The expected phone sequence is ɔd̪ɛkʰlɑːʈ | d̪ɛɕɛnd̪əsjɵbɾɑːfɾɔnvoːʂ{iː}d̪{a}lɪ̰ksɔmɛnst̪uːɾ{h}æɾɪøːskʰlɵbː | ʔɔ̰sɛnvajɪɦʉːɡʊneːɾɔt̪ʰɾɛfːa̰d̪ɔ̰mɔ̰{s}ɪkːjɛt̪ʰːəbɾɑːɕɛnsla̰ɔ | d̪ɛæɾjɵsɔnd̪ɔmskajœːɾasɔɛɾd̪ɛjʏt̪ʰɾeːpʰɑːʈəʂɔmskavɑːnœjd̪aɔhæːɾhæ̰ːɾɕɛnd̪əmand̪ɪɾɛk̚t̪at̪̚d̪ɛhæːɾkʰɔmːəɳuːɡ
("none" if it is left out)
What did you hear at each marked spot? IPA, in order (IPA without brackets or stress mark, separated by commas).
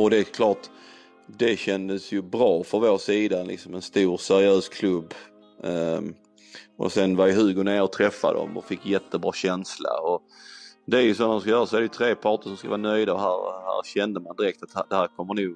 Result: iː, a, s, f